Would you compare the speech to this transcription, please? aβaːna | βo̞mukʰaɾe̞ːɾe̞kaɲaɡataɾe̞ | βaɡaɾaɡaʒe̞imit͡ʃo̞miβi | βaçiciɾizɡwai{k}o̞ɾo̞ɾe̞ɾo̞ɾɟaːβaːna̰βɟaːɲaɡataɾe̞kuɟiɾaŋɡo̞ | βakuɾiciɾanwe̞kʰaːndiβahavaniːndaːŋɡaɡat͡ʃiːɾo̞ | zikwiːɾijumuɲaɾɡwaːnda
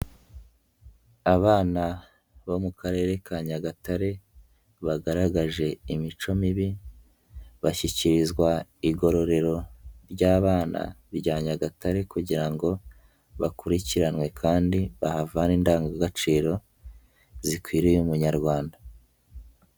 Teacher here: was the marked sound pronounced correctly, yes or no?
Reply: no